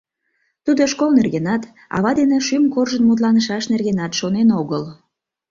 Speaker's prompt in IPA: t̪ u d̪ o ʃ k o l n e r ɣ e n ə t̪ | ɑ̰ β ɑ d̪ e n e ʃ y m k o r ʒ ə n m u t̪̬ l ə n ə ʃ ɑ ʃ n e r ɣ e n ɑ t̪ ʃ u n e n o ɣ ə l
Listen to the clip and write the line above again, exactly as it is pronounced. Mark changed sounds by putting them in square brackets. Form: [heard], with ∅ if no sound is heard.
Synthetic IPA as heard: t̪ u d̪ o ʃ k o l n e r ɣ e n [ɑ] t̪ | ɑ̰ β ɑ d̪ e n e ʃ y m k o r ʒ ə n m u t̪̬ l [ɑ] n ə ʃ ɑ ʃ n e r ɣ e n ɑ t̪ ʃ [o] n e n o ɣ ə l